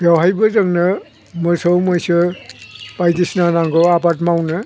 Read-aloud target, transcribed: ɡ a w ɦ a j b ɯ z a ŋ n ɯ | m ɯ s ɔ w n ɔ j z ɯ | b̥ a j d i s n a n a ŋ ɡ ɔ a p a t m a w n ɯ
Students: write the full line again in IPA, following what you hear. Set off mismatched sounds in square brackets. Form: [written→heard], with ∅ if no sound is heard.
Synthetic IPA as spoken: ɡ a w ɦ a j b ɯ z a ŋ n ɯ | m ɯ s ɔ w [n→m] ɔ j [z→s] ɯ | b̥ a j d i s n a n a ŋ ɡ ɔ a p a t m a w n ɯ